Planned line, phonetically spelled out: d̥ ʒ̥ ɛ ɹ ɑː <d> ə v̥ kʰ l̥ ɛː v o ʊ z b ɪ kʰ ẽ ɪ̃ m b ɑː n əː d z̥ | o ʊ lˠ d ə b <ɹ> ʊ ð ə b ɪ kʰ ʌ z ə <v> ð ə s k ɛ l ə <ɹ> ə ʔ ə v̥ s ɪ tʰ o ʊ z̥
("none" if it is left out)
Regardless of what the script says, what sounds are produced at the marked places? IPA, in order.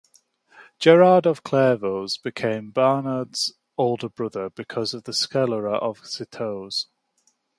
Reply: d, ɹ, v, ɹ

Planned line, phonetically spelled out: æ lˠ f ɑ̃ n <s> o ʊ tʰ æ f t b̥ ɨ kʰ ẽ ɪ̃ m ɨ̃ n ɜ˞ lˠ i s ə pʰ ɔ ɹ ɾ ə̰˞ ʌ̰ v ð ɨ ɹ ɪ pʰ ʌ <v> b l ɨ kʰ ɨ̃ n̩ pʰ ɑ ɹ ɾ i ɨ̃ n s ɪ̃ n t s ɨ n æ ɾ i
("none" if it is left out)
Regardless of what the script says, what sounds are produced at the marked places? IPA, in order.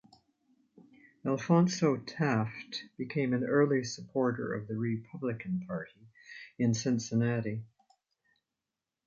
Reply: s, none

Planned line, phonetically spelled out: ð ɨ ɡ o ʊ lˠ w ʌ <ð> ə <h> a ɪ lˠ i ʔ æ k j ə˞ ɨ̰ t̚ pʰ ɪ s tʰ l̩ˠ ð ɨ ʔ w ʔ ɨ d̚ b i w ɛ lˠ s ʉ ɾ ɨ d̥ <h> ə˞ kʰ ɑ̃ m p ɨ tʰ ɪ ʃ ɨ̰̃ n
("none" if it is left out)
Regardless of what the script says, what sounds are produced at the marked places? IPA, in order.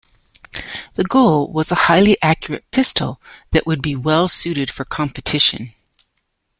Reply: z, h, f

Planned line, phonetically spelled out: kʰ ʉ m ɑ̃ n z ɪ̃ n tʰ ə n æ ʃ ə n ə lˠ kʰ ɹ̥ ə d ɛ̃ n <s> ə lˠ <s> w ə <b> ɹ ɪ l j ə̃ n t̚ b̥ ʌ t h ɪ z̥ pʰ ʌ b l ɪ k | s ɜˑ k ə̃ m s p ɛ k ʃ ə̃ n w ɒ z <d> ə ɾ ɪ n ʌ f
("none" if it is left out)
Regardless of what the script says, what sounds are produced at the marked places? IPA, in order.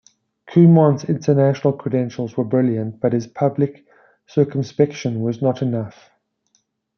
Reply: ʃ, z, b, n

